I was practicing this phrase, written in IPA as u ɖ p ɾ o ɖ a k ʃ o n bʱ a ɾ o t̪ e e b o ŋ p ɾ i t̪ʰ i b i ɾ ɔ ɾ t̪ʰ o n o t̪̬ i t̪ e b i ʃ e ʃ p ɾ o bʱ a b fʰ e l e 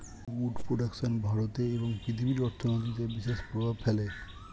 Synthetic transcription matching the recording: u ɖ p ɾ o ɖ a k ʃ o n bʱ a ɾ o t̪ e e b o ŋ p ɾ i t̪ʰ i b i ɾ ɔ ɾ t̪ʰ o n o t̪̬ i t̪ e b i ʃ e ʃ p ɾ o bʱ a b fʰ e l e